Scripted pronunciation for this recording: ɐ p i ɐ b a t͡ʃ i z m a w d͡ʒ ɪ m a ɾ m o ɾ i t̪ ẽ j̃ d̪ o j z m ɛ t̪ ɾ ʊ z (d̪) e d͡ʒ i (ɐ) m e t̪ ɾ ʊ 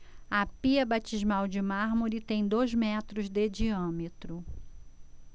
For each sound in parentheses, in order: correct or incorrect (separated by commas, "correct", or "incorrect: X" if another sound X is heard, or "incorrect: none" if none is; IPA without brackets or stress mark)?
correct, incorrect: ɐ̃